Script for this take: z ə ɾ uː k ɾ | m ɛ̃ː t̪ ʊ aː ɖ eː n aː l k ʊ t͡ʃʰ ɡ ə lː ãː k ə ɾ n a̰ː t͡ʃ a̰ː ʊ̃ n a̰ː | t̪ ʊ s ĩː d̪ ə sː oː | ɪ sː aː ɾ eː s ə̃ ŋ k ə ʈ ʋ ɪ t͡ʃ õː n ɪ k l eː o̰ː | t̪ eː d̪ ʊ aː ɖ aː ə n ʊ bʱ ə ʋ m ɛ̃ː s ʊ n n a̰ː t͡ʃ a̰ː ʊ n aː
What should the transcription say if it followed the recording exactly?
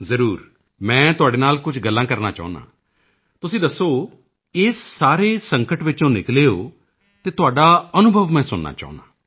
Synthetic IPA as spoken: z ə ɾ uː ɾ | m ɛ̃ː t̪ ʊ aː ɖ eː n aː l k ʊ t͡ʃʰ ɡ ə lː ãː k ə ɾ n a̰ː t͡ʃ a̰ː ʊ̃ n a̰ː | t̪ ʊ s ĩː d̪ ə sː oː | ɪ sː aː ɾ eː s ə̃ ŋ k ə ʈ ʋ ɪ t͡ʃ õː n ɪ k l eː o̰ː | t̪ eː t̪ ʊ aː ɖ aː ə n ʊ bʱ ə ʋ m ɛ̃ː s ʊ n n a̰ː t͡ʃ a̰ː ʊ n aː